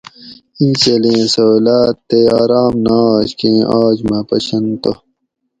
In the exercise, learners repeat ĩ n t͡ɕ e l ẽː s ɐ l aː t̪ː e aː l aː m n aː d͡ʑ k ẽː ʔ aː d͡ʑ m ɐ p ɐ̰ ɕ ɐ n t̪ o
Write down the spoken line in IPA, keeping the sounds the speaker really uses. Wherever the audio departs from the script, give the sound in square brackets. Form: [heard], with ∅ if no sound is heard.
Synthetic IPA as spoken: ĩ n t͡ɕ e l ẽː s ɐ l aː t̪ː e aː [ɾ] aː m n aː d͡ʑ k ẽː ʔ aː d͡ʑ m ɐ p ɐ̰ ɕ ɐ n t̪ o